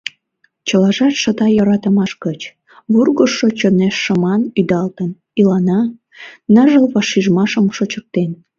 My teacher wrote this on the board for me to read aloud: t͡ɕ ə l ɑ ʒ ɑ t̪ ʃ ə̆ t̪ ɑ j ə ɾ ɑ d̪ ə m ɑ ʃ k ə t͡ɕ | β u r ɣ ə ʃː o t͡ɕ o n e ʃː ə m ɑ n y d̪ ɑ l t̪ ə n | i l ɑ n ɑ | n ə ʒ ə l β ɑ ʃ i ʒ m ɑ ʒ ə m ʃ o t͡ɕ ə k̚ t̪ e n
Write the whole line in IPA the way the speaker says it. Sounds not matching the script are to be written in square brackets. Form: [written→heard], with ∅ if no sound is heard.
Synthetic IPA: t͡ɕ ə l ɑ ʒ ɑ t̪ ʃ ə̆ t̪ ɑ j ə ɾ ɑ [d̪→t̪] ə m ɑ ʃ k ə t͡ɕ | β u r ɣ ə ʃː o t͡ɕ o n e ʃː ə m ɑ n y d̪ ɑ l t̪ ə n | i l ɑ n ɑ | n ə ʒ ə l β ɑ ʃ i ʒ m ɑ [ʒ→ʃ] ə m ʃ o t͡ɕ ə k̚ t̪ e n